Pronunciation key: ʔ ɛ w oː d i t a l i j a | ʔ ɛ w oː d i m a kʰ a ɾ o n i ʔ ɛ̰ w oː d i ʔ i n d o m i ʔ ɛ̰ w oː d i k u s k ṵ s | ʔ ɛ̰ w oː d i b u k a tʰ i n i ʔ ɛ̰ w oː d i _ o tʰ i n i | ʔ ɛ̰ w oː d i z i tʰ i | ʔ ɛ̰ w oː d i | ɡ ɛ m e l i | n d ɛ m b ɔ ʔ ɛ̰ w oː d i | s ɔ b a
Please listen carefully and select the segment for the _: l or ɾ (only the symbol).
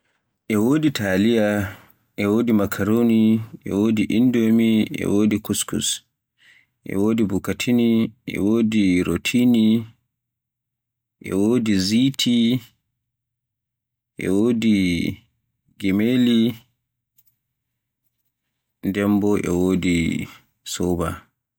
ɾ